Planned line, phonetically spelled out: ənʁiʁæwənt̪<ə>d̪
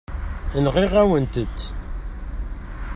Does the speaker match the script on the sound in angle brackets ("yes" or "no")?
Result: yes